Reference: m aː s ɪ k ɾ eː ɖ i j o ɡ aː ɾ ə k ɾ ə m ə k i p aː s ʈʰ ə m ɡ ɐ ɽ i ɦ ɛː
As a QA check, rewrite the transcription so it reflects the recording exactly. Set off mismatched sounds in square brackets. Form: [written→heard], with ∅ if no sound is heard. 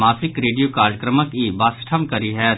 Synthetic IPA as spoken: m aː s ɪ k ɾ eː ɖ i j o [ɡ→k] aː ɾ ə k ɾ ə m ə k i [p→b] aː s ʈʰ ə m [ɡ→k] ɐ [ɽ→ɾ] i ɦ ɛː